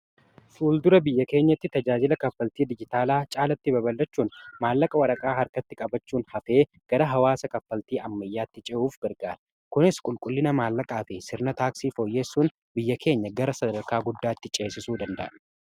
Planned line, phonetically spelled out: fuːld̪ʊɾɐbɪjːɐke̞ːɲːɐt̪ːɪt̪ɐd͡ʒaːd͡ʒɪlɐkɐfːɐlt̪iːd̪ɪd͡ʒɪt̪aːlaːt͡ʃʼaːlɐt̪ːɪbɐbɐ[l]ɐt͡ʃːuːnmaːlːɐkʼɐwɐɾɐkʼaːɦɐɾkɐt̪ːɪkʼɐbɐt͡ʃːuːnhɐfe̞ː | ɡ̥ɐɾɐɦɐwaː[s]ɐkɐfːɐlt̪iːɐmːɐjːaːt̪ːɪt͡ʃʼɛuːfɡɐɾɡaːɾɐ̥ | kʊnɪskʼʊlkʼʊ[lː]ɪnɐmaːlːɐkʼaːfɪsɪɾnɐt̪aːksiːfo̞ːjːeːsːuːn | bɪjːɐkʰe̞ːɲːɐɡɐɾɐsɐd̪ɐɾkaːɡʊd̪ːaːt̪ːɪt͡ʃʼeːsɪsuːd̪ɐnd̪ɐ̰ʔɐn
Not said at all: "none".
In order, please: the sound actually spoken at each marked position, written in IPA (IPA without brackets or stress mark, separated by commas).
lː, s, lː